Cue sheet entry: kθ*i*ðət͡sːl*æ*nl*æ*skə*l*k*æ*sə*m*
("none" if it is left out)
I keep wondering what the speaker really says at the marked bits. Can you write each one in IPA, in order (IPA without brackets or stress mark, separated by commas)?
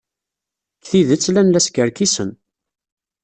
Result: i, æ, æ, ɾ, i, n